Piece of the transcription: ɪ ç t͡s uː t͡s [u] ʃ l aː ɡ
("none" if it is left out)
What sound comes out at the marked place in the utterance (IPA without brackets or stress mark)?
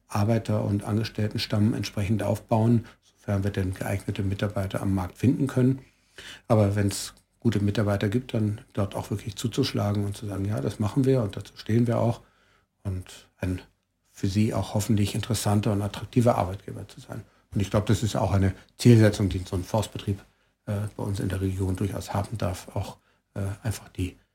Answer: u